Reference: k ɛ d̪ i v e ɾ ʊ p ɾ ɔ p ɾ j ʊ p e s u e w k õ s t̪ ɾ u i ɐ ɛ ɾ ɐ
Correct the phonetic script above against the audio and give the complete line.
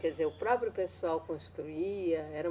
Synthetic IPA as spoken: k ɛ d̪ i z e ɾ ʊ p ɾ ɔ p ɾ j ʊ p e s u a w k õ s t̪ ɾ u i ɐ ɛ ɾ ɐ